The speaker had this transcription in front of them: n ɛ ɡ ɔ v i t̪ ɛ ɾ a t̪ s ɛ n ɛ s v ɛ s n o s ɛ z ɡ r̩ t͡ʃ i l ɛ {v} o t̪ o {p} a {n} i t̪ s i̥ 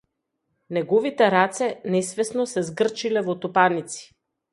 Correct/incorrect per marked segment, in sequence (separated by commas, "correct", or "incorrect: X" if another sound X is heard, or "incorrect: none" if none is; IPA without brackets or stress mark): correct, correct, correct